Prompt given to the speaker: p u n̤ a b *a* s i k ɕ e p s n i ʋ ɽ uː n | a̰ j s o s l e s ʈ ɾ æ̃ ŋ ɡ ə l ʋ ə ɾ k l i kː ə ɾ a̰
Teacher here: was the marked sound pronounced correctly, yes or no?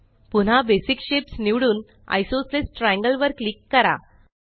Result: no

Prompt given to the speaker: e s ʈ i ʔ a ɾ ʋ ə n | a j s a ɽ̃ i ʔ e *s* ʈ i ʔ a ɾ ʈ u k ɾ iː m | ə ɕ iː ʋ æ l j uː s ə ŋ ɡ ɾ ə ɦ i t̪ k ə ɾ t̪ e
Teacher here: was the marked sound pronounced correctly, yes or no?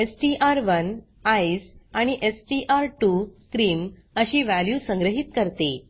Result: yes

